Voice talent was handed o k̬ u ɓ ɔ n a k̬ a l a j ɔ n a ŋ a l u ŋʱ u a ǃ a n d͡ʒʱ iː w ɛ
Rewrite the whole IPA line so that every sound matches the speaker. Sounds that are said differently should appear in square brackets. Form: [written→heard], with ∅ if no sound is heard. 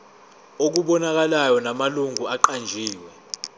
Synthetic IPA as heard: o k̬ u ɓ ɔ n a k̬ a l a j ɔ n a [ŋ→m] a l u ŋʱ u a ǃ a n d͡ʒʱ iː w ɛ